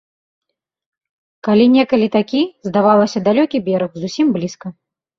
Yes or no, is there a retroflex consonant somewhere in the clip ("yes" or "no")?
no